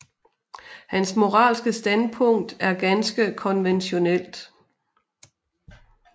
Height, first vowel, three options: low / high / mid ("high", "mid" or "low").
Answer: low